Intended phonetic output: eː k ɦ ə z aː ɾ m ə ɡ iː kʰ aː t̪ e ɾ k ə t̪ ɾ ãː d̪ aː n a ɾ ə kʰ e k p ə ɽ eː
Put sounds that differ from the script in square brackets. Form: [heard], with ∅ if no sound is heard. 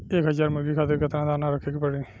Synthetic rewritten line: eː k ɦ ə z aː ɾ m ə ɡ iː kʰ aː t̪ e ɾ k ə t̪ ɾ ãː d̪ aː n a ɾ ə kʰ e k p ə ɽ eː